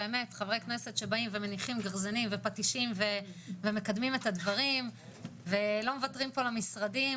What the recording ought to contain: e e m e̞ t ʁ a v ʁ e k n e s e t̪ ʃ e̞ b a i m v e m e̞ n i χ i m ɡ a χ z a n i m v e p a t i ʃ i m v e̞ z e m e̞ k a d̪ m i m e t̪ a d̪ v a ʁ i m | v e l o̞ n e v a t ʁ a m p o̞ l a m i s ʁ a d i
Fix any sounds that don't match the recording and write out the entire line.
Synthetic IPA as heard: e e m e̞ t χ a v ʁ e k n e s e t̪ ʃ e̞ b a i m v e m e̞ n i χ i m ɡ a ʁ z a n i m v e p a t i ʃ i m v e̞ v e m e̞ k a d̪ m i m e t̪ a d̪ v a ʁ i m | v e l o̞ m e v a t ʁ i m p o̞ l a m i s ʁ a d i